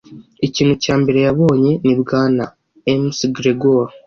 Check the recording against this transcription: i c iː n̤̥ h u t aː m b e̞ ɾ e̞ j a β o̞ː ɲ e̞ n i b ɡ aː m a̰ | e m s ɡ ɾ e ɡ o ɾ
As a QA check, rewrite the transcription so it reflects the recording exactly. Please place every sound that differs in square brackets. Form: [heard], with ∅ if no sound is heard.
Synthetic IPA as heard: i c iː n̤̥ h u [c] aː m b e̞ ɾ e̞ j a β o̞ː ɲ e̞ n i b ɡ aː [n] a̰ | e m s ɡ ɾ e ɡ o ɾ